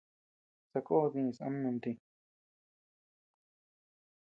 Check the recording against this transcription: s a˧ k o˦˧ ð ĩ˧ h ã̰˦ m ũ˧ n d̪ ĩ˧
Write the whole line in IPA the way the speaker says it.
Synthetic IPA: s a˧ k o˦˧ ð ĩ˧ s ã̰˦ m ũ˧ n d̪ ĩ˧